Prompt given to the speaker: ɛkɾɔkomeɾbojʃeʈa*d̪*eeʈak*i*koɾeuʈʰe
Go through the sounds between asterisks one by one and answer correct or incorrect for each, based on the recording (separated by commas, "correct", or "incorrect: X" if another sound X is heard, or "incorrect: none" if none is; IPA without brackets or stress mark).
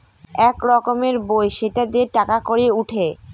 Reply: correct, incorrect: a